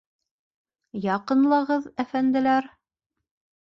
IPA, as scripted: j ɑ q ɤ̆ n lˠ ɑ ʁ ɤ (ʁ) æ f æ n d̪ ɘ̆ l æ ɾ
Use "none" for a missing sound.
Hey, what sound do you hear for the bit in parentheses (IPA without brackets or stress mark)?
ð